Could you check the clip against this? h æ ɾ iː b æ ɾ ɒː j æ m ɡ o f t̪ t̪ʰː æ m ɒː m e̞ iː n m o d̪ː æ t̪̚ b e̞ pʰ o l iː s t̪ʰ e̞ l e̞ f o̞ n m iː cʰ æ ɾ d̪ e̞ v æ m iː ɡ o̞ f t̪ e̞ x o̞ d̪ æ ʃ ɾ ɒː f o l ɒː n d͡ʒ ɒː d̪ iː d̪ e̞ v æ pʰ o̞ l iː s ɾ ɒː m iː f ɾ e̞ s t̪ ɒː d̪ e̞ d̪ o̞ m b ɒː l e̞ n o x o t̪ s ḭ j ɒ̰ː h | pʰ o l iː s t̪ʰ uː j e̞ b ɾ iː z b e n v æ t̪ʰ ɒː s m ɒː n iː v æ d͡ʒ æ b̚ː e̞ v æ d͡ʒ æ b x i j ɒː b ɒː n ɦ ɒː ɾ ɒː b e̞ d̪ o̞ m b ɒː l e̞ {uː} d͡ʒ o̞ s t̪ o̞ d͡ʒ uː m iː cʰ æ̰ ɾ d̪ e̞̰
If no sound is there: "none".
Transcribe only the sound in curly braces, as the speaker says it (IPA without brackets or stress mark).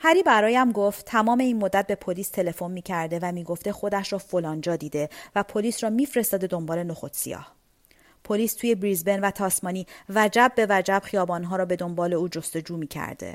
uː